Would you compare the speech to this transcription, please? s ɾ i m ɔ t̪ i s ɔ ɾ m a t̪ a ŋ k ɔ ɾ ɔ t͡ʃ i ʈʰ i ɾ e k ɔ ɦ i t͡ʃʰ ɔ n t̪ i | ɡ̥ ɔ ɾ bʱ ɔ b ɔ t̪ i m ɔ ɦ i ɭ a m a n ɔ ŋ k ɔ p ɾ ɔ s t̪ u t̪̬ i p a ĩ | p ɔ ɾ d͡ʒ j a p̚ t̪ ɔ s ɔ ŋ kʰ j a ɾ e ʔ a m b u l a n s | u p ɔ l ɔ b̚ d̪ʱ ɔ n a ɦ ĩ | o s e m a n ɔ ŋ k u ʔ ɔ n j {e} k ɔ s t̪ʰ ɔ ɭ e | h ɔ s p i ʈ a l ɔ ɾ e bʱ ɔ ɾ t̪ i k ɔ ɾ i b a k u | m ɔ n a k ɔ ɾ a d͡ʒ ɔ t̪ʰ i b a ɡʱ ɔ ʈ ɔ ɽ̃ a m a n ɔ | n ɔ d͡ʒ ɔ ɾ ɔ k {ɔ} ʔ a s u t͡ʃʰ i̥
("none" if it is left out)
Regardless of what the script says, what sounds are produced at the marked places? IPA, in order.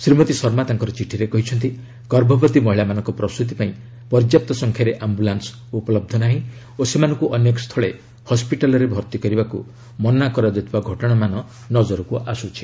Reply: e, u

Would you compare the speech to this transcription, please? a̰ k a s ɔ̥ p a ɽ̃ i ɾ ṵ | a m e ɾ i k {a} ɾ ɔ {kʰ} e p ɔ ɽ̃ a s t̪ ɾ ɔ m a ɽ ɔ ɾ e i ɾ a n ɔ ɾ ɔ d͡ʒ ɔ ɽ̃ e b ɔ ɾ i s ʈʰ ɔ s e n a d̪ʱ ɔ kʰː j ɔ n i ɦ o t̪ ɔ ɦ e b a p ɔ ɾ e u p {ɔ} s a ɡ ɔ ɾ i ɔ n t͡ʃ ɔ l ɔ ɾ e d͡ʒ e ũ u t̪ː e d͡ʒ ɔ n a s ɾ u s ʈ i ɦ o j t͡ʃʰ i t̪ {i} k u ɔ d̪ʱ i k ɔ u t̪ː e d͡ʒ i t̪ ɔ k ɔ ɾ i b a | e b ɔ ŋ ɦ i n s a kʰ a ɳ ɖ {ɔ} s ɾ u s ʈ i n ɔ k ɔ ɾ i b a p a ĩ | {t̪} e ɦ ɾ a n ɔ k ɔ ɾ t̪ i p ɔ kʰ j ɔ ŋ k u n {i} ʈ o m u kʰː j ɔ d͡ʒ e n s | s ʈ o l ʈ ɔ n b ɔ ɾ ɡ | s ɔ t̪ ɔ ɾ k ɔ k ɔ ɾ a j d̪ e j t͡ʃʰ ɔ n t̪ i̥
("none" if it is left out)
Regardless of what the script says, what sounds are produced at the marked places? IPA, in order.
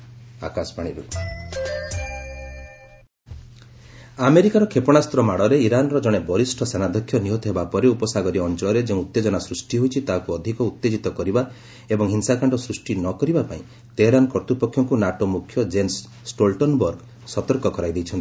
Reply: a, kʰ, ɔ, a, ɔ, t̪, a

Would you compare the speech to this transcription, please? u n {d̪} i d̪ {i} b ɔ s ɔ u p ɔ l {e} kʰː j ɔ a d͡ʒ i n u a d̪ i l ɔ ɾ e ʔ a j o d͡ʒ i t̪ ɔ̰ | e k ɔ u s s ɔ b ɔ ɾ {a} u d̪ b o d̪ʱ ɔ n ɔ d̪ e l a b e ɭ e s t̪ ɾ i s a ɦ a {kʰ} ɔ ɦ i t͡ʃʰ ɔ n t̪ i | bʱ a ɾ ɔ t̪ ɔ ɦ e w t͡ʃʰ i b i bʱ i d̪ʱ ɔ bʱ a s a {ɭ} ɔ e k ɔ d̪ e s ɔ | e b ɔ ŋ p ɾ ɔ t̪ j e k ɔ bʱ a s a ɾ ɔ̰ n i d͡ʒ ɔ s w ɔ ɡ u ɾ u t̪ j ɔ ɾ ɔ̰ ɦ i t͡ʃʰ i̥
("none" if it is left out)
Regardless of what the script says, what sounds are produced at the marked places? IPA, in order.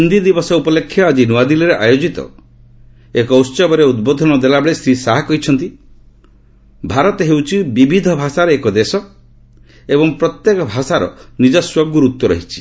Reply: d̪, i, e, e, k, ɾ

